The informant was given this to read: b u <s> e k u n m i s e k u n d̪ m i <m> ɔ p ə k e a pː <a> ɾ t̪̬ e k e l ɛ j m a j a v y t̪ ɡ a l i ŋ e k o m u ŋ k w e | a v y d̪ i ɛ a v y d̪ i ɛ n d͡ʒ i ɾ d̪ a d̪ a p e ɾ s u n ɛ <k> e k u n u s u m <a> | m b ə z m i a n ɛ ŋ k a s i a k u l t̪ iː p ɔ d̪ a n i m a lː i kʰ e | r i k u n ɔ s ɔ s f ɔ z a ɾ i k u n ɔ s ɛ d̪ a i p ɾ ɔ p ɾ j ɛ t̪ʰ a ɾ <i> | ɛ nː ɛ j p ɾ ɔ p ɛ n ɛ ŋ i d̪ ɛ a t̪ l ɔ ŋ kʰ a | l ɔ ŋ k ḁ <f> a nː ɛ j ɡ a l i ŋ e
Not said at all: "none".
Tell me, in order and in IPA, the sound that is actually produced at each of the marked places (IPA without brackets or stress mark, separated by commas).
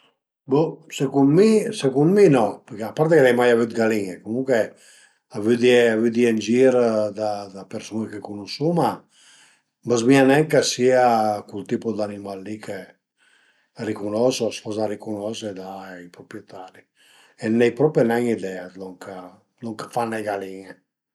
s, n, a, k, a, i, f